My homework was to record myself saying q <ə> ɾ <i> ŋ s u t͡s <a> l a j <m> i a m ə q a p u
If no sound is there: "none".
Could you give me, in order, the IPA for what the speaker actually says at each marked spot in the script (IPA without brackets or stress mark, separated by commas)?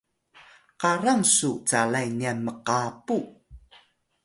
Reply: a, a, a, n